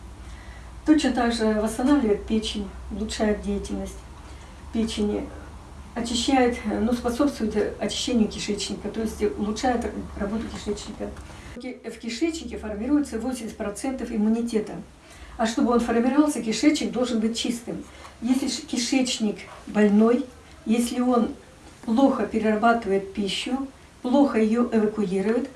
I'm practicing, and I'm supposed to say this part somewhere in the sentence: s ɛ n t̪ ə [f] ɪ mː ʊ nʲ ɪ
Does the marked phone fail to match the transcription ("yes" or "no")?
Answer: no